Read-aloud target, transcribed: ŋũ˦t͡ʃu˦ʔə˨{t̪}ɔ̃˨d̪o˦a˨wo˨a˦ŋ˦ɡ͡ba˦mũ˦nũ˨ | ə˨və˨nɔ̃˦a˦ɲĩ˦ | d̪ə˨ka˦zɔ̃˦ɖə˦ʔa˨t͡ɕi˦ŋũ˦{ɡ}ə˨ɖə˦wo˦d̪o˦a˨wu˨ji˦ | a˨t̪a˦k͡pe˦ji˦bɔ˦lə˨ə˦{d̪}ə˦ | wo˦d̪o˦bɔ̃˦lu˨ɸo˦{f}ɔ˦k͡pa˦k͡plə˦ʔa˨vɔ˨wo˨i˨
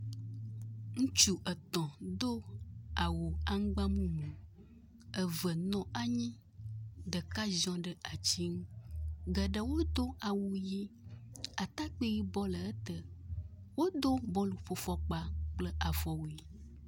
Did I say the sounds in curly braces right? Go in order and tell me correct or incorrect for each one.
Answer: correct, correct, incorrect: t̪, correct

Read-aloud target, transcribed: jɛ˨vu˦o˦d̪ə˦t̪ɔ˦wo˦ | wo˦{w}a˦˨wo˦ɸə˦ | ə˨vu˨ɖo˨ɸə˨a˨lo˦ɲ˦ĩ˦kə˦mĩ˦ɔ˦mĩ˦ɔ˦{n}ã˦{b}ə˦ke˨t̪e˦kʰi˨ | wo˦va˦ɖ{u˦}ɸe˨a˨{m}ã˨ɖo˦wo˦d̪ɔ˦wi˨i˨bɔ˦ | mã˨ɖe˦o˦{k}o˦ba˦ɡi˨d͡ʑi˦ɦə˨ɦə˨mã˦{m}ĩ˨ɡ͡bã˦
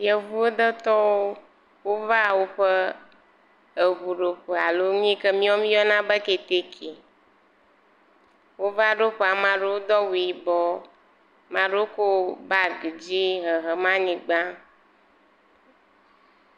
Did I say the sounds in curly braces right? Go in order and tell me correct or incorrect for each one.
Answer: incorrect: v, correct, correct, incorrect: o˦, correct, correct, incorrect: ɲ

